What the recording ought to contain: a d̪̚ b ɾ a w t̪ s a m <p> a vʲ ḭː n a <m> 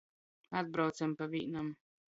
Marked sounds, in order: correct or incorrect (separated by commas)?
correct, correct